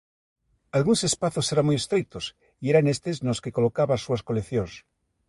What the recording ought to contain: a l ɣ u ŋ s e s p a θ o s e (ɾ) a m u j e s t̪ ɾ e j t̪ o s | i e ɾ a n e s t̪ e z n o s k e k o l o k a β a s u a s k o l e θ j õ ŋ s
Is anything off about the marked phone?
no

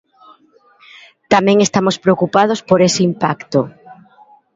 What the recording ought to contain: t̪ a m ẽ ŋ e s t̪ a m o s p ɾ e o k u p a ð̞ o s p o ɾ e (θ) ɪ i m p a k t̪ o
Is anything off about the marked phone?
yes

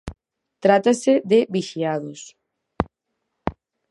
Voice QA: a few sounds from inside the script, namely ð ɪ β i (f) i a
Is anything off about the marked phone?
yes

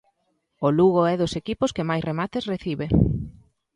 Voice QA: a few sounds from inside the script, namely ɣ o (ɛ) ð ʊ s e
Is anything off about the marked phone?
no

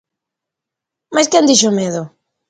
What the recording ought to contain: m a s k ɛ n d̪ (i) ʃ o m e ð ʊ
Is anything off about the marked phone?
no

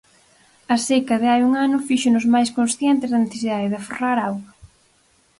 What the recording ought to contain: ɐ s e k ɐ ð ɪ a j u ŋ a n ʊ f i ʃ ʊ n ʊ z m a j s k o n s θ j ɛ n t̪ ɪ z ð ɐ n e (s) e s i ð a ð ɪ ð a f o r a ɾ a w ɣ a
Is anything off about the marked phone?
yes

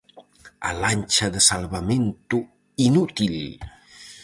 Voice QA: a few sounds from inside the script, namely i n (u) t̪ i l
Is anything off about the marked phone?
no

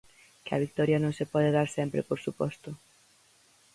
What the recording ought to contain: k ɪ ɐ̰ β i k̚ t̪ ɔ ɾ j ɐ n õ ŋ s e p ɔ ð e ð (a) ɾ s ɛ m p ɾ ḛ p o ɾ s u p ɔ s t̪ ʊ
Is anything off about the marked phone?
no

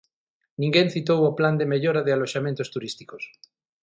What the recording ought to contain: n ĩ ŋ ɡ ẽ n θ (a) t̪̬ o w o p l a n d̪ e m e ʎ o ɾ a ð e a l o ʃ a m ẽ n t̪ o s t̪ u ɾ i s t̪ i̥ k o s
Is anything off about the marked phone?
yes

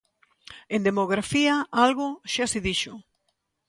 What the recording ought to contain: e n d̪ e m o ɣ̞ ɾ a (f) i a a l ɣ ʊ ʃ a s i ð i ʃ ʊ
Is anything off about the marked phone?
no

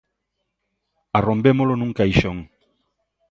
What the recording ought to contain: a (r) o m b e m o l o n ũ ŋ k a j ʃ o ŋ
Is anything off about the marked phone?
no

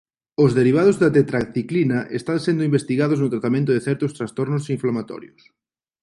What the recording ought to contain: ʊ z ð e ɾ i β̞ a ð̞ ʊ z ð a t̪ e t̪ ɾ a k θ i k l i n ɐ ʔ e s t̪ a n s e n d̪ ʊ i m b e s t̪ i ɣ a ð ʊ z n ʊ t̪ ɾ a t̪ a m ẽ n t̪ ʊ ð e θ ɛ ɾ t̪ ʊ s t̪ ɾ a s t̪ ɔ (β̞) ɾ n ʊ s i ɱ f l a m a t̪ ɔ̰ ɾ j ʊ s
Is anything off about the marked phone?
yes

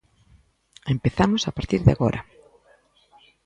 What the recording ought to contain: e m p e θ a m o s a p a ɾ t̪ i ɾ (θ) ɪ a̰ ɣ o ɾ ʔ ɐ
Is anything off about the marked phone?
yes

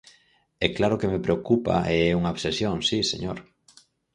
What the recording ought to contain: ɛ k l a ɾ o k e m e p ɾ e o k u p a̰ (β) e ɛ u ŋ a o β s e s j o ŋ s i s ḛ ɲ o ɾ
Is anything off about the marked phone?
yes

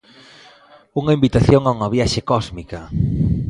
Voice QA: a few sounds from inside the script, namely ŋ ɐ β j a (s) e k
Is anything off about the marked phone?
yes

